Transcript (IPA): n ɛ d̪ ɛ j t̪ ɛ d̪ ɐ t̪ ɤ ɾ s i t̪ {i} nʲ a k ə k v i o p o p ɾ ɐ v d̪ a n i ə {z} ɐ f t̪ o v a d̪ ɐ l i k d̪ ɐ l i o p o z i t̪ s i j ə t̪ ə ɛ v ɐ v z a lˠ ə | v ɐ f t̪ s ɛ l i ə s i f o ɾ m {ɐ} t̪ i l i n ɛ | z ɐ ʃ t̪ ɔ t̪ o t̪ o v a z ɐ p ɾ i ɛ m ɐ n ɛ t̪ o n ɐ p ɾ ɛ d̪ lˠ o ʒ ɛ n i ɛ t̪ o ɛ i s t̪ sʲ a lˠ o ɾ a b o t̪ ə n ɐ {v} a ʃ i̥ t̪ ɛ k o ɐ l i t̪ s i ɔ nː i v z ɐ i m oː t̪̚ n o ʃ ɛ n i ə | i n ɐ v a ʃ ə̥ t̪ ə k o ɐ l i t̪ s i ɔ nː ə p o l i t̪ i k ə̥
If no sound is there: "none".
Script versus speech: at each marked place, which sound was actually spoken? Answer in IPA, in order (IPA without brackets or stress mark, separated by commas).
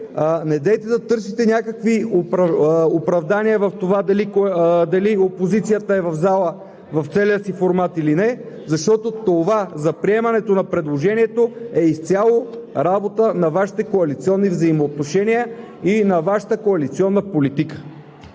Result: ɛ, v, a, v